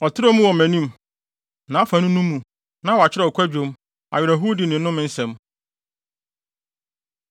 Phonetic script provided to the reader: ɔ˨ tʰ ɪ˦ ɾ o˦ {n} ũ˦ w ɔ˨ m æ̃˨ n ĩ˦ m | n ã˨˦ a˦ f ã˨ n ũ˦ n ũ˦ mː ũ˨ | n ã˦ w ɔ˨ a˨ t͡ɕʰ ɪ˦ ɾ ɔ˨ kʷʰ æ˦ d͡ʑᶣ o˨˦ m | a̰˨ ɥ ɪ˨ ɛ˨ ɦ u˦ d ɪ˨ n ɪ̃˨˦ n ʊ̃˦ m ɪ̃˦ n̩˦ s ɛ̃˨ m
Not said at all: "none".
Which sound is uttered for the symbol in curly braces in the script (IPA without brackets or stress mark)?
m